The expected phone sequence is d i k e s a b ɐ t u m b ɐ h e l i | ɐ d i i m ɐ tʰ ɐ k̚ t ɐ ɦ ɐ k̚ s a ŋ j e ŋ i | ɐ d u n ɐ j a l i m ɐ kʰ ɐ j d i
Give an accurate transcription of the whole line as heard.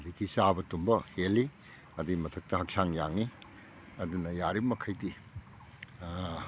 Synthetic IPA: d i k i s a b ɐ t u m b ɐ h e l i | ɐ d i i m ɐ tʰ ɐ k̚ t ɐ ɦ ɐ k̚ s a ŋ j a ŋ i | ɐ d u n ɐ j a ɾ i m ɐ kʰ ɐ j d i